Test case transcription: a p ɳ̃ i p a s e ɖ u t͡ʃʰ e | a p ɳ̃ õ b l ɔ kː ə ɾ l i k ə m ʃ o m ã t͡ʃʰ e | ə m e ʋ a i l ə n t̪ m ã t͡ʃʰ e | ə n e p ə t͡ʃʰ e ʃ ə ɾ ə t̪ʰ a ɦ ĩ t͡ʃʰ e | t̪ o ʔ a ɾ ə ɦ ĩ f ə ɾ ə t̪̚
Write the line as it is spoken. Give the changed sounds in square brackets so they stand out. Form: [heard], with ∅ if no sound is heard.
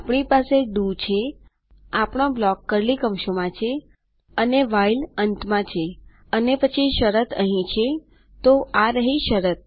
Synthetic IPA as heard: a p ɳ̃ i p a s e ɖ u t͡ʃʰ e | a p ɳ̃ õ b l ɔ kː ə ɾ l i k ə m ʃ o m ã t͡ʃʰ e | ə [n] e ʋ a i l ə n t̪ m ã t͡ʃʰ e | ə n e p ə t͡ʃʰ [i] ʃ ə ɾ ə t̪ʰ [ə] ɦ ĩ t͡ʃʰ e | t̪ o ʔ a ɾ ə ɦ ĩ [ʃ] ə ɾ ə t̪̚